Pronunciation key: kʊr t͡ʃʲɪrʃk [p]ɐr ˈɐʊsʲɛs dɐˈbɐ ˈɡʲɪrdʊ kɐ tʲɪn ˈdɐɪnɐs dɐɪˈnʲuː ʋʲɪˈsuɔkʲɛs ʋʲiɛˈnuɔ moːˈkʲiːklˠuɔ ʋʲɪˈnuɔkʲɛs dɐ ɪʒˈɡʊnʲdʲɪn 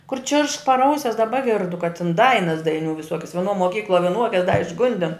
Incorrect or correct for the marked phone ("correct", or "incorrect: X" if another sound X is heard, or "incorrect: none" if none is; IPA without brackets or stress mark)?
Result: correct